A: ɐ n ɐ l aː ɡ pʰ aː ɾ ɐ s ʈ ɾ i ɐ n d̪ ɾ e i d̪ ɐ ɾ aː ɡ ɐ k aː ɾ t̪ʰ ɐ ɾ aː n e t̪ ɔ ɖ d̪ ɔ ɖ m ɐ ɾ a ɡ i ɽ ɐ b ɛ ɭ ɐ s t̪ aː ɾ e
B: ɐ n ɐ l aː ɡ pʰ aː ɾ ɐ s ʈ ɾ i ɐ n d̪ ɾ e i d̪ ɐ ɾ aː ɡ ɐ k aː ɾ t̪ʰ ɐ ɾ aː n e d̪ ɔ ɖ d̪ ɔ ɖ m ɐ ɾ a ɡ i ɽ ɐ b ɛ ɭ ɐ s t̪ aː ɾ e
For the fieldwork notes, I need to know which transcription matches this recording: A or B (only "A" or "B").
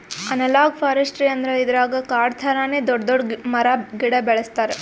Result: B